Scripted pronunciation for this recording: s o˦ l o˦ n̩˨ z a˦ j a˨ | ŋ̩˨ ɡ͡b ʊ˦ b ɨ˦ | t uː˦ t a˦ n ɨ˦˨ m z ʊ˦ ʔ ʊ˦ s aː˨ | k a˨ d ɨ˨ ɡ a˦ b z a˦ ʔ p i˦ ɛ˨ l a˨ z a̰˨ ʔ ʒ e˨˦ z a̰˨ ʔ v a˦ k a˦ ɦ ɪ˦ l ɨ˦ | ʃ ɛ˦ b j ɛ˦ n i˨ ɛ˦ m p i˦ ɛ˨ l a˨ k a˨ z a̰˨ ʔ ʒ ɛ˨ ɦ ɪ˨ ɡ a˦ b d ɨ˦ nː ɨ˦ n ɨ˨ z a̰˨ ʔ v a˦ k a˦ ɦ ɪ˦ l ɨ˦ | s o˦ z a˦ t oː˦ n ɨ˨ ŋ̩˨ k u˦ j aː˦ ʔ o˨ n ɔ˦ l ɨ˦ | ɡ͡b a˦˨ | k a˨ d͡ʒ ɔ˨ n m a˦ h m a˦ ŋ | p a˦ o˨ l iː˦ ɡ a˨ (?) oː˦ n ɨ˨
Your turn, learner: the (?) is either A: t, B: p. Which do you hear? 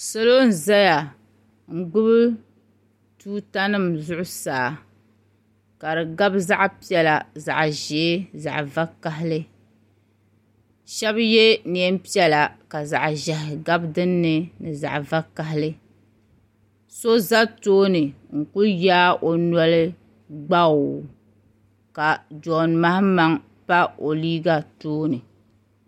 A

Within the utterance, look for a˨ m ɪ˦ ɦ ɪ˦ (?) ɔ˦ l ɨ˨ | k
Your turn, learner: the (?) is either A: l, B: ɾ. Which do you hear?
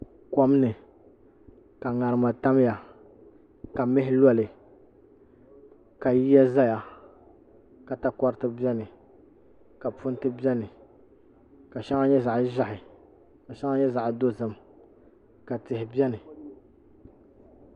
A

